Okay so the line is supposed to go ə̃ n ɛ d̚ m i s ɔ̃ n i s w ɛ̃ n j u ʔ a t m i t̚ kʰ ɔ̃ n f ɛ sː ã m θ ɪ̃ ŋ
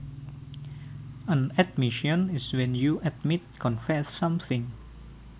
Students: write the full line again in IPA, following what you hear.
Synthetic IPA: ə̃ n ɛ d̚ m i ʃ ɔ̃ n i s w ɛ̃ n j u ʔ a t m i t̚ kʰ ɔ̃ n f ɛ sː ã m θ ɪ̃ ŋ